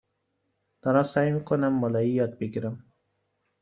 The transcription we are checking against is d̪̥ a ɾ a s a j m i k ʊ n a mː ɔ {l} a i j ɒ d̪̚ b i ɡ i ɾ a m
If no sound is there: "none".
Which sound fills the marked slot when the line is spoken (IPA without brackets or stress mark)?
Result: l